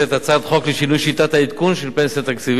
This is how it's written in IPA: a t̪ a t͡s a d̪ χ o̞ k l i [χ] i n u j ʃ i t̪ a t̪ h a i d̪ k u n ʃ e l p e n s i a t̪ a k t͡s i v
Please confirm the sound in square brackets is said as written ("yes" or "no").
no